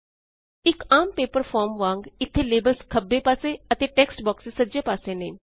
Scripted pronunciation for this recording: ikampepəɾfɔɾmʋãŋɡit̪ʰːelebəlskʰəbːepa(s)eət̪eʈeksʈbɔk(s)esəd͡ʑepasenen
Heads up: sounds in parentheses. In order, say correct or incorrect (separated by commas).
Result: correct, correct